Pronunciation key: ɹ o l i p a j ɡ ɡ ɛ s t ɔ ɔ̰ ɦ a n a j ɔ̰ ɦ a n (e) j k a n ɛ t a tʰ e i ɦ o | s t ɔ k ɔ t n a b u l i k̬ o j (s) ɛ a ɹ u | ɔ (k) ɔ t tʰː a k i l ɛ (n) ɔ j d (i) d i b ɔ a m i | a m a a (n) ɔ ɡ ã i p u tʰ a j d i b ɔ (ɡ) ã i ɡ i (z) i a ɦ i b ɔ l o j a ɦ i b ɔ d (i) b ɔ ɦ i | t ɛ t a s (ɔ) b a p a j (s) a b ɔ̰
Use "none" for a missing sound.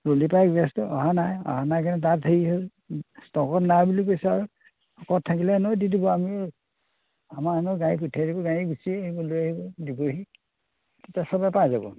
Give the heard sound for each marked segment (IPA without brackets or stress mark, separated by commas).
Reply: a, s, k, n, i, n, ɡ, s, i, ɔ, z